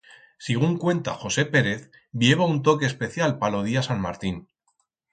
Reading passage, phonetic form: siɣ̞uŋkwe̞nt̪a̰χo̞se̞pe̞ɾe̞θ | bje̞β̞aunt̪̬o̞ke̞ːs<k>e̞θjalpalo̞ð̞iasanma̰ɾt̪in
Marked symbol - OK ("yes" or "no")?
no